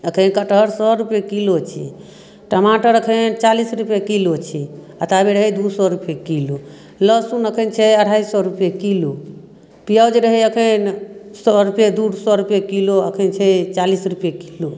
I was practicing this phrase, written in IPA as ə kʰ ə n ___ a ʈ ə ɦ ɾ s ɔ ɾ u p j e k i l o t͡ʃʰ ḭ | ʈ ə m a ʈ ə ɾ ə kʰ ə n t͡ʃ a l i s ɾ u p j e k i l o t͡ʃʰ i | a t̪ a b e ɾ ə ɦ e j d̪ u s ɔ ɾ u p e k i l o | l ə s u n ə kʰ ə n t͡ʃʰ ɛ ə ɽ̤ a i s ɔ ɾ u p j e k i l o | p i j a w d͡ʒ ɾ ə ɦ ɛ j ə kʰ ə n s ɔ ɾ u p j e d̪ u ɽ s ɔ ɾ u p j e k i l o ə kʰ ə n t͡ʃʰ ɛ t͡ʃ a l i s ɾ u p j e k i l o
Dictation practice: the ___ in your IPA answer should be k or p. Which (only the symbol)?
k